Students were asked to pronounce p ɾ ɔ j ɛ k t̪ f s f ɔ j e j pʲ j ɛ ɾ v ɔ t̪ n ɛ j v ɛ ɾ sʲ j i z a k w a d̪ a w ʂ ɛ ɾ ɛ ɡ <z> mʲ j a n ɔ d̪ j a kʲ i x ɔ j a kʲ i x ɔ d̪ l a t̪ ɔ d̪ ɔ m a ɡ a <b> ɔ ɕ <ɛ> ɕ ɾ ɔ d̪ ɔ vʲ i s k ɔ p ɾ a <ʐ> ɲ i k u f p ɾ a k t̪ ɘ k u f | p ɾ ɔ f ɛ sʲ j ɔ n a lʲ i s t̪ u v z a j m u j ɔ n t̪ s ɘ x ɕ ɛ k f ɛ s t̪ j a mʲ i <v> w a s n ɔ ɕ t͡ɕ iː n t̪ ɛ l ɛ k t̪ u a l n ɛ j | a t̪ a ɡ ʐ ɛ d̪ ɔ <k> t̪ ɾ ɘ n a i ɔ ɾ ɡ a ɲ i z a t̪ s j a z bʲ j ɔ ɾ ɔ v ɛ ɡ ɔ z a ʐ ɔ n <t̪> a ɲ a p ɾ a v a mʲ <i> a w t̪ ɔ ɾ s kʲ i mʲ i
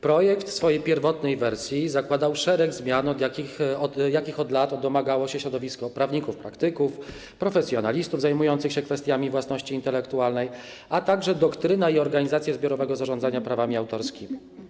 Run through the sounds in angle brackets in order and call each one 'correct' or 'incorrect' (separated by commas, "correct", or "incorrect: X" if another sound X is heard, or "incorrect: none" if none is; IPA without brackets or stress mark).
correct, incorrect: w, correct, incorrect: v, correct, correct, incorrect: d̪, correct